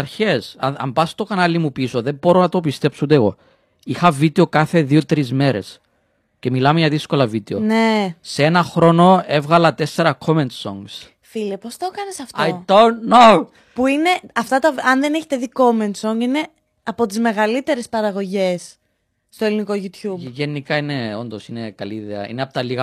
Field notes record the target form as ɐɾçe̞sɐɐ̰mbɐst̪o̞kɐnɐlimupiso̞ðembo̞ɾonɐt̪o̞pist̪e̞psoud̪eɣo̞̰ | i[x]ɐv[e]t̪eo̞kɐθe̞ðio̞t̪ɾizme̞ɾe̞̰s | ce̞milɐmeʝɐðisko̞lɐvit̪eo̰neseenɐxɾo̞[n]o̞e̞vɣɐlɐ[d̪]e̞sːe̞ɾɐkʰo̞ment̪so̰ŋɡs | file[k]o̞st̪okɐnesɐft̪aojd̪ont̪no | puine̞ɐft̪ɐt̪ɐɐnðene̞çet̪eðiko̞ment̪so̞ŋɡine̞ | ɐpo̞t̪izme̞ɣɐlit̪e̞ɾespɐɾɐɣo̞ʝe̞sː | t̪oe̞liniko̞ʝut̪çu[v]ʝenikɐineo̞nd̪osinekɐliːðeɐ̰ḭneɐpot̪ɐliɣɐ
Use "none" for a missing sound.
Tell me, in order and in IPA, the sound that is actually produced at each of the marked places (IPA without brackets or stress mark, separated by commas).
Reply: x, i, n, t̪, p, b